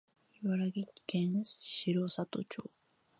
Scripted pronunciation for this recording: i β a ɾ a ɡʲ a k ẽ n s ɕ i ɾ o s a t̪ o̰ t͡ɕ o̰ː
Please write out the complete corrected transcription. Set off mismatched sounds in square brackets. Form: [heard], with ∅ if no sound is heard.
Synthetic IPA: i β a ɾ a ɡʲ [i] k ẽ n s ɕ i ɾ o s a t̪ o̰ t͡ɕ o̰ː